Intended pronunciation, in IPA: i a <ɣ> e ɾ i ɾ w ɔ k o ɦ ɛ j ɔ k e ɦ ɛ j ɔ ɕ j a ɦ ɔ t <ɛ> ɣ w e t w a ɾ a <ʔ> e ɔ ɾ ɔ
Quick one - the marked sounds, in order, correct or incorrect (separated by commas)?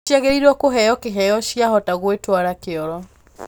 correct, incorrect, incorrect